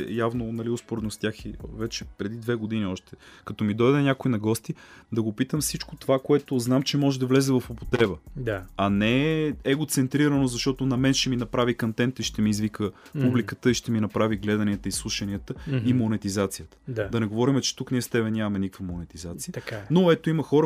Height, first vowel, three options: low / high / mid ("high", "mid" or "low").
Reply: low